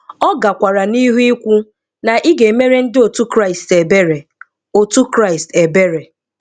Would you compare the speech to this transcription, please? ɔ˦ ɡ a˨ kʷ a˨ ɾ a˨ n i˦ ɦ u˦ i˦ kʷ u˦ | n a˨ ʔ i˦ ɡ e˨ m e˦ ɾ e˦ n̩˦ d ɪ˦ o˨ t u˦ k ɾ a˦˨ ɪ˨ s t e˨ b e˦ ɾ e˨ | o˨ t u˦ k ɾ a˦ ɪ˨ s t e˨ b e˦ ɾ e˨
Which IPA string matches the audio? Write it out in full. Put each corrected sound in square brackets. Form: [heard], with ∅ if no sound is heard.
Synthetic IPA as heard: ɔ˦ ɡ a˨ kʷ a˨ ɾ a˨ n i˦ ɦ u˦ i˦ kʷ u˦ | n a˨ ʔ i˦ ɡ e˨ m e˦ ɾ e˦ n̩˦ d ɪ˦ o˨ t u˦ k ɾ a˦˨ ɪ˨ s t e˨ b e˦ ɾ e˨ | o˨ t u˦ k ɾ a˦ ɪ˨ s t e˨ b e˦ ɾ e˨